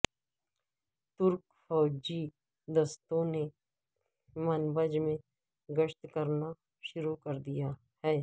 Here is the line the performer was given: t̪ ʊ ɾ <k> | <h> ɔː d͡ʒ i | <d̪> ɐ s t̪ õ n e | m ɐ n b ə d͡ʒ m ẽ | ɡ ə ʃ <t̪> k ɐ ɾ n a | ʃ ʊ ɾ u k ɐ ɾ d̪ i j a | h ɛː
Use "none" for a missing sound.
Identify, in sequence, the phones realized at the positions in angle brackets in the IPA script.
k, f, d̪, t̪

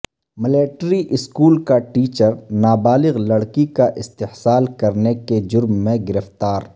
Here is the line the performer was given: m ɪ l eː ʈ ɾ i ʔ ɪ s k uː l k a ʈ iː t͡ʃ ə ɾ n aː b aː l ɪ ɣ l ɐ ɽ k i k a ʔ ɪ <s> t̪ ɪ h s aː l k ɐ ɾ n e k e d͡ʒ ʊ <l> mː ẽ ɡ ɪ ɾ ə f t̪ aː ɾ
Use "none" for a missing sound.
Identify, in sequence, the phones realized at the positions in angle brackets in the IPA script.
s, ɾ

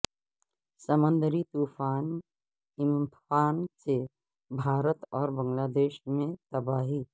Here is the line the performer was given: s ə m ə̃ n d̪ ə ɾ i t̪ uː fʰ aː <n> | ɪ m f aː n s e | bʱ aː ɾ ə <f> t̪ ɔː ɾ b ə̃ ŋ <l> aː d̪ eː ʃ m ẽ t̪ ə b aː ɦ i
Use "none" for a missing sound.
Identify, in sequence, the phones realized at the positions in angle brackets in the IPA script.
n, none, l

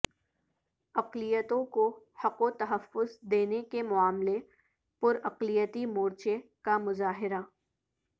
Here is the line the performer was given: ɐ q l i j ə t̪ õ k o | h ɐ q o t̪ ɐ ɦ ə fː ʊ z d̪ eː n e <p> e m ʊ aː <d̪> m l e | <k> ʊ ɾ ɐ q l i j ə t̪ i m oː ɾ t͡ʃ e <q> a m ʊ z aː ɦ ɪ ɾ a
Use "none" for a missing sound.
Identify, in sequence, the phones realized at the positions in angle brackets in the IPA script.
k, none, p, k

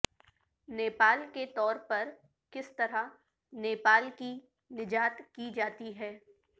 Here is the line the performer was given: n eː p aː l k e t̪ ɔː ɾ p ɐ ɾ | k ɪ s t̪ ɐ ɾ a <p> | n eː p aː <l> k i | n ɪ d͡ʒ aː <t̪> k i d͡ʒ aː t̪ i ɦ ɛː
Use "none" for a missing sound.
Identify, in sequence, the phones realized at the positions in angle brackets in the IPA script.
none, l, t̪

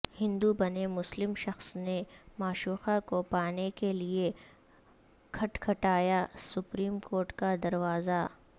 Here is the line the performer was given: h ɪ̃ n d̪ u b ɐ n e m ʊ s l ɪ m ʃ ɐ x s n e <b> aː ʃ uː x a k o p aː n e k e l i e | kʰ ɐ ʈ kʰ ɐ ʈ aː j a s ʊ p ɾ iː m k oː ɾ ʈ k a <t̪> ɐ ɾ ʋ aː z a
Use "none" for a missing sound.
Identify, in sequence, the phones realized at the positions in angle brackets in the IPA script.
m, d̪

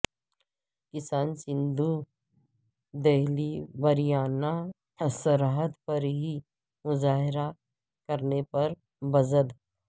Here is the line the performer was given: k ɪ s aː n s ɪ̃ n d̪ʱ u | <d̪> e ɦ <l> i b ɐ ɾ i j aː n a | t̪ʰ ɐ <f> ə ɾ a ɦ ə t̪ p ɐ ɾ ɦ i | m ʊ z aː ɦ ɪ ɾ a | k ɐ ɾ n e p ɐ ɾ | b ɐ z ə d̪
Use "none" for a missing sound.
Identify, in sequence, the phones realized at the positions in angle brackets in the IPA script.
d̪, l, s

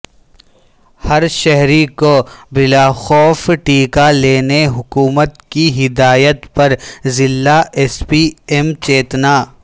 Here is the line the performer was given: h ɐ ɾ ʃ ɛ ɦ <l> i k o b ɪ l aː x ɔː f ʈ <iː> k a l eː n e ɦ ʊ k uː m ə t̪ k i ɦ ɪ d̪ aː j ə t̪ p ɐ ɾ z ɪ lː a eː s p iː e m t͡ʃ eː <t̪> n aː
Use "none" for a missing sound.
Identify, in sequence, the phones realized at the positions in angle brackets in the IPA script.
ɾ, iː, t̪

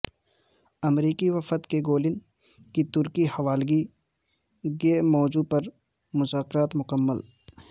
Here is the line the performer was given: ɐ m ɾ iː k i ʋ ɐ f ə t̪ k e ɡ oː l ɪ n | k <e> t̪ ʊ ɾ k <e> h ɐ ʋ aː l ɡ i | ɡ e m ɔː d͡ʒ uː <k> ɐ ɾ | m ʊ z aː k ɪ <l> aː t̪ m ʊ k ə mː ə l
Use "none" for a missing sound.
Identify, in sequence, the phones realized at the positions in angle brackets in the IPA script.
i, i, p, ɾ

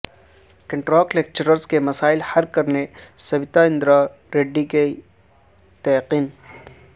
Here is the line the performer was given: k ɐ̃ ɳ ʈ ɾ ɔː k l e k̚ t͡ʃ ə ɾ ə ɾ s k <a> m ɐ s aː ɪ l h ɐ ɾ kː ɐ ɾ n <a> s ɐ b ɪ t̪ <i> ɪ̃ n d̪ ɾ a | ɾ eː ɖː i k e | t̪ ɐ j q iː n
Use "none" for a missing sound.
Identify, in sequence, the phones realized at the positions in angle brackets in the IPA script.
e, e, a

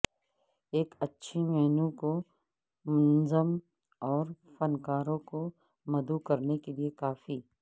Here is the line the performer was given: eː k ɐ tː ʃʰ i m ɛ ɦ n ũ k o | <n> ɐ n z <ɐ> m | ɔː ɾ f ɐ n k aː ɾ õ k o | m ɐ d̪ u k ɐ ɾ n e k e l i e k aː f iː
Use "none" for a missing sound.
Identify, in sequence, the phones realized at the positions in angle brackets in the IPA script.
m, ə

